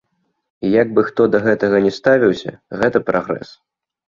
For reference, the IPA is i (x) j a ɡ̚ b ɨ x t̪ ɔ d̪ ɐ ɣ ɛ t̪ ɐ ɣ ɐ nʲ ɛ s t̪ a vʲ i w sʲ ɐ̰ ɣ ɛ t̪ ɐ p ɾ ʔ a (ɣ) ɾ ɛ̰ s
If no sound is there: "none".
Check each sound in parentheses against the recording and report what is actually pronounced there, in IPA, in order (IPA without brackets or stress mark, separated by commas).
none, ɣ